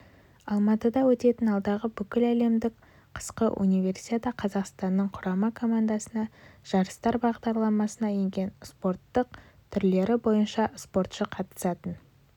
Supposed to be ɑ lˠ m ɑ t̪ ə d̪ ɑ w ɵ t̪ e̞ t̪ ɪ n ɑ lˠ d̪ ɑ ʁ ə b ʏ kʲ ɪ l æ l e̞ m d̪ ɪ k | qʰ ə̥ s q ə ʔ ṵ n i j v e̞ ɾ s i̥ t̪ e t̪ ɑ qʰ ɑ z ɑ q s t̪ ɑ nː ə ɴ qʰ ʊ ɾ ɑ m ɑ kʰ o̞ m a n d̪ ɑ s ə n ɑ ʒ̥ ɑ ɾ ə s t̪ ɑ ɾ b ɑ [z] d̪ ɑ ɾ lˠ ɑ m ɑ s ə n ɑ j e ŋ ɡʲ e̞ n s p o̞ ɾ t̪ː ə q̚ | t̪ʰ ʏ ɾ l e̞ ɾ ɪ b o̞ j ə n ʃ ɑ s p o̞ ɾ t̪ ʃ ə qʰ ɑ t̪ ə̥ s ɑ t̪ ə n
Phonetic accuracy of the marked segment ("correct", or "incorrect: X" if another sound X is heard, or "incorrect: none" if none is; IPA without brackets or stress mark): incorrect: ʁ